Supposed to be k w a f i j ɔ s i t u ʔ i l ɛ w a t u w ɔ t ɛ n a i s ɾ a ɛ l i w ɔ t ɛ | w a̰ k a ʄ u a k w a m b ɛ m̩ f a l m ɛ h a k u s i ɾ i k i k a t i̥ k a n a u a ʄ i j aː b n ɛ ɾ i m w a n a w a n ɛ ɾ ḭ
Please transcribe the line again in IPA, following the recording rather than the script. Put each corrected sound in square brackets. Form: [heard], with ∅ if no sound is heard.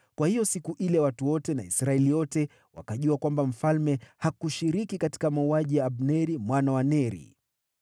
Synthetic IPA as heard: k w a [h] i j ɔ s i [k] u ʔ i l ɛ w a t u w ɔ t ɛ n a i s ɾ a ɛ l i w ɔ t ɛ | w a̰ k a ʄ u a k w a m b [a] m̩ f a l m ɛ h a k u [ʃ] i ɾ i k i k a t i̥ k a [m] a u a ʄ i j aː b n ɛ ɾ i m w a n a w a n ɛ ɾ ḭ